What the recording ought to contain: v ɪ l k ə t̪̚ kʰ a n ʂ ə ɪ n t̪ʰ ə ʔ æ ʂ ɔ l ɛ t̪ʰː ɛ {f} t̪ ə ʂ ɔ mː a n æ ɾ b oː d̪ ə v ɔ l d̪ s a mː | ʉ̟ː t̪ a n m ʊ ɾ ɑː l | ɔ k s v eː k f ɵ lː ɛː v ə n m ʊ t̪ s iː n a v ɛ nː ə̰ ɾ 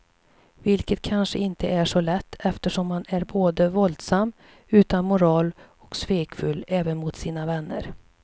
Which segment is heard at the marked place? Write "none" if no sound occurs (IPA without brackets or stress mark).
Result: f